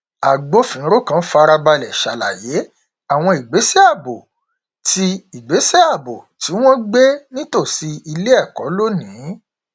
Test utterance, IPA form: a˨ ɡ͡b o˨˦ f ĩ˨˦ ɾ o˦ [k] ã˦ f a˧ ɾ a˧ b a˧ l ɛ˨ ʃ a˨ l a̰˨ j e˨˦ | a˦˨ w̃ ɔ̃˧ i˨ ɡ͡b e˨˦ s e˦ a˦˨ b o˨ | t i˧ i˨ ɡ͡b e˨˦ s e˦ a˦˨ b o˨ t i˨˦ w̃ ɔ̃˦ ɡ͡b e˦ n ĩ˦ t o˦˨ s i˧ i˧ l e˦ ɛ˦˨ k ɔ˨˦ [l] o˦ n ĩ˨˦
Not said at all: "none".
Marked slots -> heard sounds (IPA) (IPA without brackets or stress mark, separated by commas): k, l